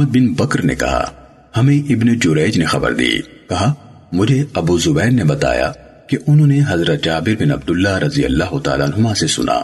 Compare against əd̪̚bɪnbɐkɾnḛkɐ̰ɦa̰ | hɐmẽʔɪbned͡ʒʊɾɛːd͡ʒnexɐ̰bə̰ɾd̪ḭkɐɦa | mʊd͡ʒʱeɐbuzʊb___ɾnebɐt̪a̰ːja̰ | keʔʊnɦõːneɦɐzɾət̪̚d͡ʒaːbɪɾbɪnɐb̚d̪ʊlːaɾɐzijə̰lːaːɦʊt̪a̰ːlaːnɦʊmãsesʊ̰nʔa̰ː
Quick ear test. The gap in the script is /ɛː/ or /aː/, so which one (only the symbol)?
ɛː